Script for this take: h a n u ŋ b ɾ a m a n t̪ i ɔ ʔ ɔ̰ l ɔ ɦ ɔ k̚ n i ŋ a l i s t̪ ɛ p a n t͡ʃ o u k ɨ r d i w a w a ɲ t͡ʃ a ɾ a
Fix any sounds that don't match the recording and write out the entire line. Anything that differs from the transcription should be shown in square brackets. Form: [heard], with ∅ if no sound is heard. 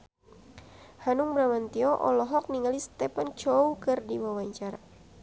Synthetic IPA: h a n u ŋ b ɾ a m a n t̪ i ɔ ʔ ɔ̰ l ɔ ɦ ɔ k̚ n i ŋ a l i s t̪ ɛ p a n t͡ʃ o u k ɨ r d i w a w a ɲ t͡ʃ a ɾ a